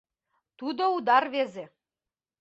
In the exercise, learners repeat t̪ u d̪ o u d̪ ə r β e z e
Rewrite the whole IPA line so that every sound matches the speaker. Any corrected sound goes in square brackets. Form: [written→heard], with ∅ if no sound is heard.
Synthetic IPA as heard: t̪ u d̪ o u d̪ [ə→ɑ] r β e z e